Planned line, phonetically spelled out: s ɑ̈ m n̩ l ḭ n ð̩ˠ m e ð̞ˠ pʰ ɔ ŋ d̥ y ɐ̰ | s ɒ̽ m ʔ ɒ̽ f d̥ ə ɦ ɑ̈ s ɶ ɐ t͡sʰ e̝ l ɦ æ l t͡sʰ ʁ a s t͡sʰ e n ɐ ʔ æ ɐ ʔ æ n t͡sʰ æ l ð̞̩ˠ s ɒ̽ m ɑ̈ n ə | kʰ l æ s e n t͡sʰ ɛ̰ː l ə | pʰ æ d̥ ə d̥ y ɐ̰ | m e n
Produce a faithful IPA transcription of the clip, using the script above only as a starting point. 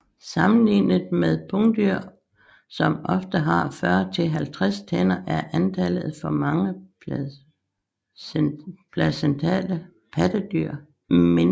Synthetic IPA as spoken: s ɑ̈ m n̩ l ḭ n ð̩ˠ m e ð̞ˠ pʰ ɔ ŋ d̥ y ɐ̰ | s ɒ̽ m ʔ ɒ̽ f d̥ ə ɦ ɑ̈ f ɶ ɐ t͡sʰ e̝ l ɦ æ l t͡sʰ ʁ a s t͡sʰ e n ɐ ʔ æ ɐ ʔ æ n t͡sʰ æ l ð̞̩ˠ f ɒ̽ m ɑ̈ ŋ ə | pʰ l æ s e n t͡sʰ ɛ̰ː l ə | pʰ æ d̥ ə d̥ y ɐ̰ | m e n